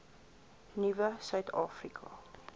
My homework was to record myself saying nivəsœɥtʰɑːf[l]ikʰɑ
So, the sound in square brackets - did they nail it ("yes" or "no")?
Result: no